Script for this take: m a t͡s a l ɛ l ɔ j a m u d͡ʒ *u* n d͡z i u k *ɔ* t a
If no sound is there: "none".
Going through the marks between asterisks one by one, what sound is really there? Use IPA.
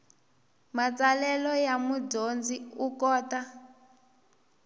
o, ɔː

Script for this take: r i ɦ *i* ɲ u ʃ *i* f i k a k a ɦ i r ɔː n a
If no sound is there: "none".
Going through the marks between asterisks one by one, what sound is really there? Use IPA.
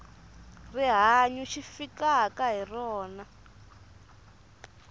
a, i

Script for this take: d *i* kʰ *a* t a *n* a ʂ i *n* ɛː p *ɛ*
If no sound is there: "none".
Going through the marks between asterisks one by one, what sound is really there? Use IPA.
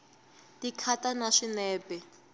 i, a, n, n, ɛ

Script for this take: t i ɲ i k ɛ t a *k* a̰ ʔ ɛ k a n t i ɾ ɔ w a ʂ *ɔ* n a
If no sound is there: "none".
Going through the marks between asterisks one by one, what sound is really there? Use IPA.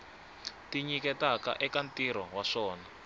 k, ɔː

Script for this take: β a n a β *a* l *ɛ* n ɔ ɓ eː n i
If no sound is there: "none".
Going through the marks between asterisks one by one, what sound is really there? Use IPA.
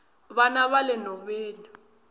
a, ɛ

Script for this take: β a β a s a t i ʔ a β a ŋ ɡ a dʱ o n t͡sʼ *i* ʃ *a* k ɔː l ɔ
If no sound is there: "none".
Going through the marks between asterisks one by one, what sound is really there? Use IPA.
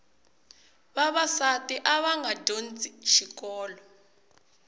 i, i

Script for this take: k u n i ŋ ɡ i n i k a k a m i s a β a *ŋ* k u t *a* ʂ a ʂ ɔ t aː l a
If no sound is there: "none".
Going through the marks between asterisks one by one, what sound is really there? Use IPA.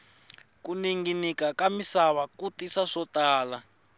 none, i

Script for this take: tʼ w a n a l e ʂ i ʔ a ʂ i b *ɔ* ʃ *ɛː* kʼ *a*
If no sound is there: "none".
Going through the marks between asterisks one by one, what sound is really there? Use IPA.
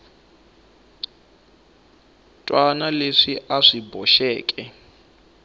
ɔ, ɛː, ɛ

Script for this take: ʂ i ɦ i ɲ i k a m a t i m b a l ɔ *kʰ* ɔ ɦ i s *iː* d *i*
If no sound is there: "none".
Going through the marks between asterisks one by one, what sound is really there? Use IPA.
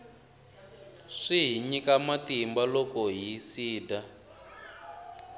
k, iː, a

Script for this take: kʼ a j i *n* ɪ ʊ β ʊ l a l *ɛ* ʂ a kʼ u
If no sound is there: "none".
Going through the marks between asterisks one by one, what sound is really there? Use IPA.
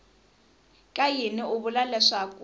n, ɛ

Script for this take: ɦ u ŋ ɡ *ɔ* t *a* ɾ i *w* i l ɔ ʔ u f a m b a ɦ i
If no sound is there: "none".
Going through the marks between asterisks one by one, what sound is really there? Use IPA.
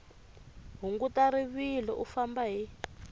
u, a, β

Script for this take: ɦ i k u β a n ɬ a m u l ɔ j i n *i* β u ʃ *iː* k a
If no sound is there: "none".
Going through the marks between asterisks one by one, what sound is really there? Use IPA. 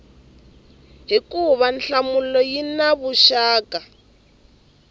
a, aː

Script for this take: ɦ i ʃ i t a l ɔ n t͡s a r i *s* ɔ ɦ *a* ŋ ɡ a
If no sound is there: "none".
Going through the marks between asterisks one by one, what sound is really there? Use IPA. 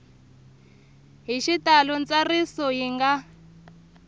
s, i

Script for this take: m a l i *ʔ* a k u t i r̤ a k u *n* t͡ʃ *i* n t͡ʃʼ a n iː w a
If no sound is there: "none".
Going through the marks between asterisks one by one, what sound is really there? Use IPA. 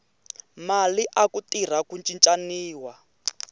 ʔ, n, i

